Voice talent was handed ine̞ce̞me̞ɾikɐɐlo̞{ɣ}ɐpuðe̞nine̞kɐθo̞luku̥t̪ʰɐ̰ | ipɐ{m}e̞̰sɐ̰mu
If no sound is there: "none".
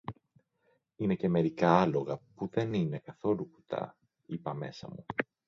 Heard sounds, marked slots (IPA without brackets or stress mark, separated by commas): ɣ, m